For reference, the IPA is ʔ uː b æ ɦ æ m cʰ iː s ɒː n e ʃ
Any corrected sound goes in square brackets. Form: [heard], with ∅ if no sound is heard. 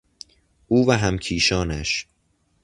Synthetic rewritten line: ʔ uː [v] æ ɦ æ m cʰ iː [ʃ] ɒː n [æ] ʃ